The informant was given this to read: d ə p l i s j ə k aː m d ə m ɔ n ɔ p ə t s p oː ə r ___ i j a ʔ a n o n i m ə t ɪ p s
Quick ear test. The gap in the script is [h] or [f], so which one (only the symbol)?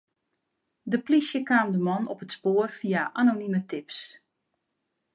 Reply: f